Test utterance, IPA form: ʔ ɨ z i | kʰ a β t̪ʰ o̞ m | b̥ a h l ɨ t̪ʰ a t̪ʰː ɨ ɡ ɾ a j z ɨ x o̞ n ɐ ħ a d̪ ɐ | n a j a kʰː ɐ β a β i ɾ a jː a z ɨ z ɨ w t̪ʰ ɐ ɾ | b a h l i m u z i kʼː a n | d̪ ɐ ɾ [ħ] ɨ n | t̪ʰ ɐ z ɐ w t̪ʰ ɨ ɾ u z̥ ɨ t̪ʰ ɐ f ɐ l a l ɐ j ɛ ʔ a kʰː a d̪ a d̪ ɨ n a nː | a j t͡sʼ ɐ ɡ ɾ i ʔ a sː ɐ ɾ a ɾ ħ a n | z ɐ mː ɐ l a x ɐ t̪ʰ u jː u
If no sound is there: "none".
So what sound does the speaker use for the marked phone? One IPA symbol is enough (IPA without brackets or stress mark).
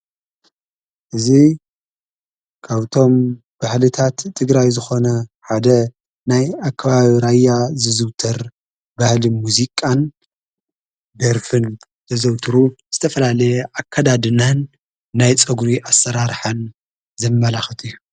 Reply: f